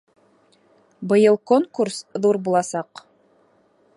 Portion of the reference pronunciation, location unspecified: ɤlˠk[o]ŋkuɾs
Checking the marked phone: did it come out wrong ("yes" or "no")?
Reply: no